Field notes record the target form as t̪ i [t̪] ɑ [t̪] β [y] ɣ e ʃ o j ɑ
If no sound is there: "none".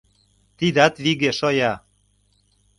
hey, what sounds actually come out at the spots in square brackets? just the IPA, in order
d̪, t̪, i

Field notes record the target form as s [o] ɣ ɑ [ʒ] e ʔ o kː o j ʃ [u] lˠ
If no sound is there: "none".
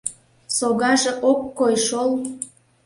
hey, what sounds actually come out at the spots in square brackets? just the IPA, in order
o, ʒ, o

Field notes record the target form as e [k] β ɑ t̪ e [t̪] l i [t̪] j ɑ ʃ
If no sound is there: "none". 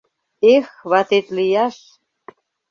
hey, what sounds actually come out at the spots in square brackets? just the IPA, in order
x, t̪, none

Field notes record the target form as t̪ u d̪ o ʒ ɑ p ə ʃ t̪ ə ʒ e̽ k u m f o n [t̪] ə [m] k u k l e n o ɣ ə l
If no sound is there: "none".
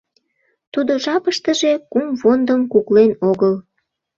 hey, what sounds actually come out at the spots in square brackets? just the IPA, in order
d̪, m

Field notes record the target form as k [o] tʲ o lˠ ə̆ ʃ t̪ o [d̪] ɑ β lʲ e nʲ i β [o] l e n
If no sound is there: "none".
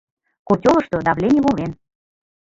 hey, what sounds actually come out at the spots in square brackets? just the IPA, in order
o, d̪, o

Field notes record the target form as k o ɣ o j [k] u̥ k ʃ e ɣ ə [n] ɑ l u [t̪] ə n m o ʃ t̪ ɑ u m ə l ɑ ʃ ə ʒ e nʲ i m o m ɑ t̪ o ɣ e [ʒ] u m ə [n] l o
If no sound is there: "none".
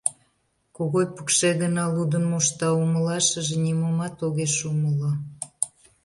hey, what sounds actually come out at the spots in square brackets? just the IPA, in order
p, n, d̪, ʃ, none

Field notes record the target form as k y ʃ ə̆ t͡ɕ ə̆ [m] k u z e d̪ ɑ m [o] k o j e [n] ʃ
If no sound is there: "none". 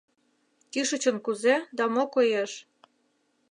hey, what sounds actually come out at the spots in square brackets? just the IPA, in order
n, o, none

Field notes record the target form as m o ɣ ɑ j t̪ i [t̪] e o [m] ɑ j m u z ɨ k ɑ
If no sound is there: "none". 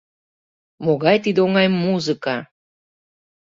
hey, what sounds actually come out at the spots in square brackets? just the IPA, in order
d̪, ŋ

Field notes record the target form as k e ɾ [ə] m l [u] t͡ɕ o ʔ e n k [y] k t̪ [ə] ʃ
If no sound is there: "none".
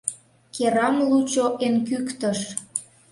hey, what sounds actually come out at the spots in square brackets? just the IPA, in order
ɑ, u, y, ə

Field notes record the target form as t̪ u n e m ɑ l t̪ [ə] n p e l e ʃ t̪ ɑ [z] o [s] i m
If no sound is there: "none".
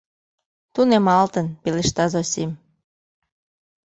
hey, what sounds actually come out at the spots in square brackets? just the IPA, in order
ə, z, s

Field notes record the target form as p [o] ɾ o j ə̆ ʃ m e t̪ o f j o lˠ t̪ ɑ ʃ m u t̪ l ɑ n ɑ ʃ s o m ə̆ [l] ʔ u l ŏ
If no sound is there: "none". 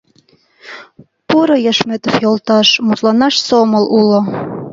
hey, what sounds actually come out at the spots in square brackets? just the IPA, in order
u, l

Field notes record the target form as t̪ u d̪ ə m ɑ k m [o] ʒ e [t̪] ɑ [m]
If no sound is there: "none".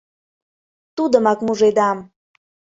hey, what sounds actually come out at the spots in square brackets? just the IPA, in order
u, d̪, m

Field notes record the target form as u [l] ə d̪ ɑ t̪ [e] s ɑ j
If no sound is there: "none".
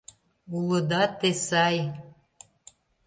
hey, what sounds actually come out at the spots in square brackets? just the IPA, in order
l, e

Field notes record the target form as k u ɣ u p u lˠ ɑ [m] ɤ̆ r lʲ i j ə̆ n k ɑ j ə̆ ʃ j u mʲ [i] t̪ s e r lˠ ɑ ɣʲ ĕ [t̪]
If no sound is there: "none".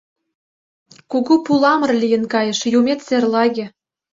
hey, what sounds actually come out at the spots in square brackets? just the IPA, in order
m, e, none

